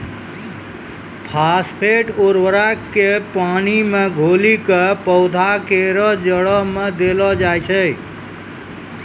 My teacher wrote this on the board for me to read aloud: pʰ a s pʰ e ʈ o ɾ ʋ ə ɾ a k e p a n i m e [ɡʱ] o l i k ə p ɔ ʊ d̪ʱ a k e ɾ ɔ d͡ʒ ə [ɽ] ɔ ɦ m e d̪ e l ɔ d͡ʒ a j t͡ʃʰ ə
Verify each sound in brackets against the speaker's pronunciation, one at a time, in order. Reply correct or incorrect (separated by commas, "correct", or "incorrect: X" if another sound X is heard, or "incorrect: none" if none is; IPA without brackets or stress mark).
correct, correct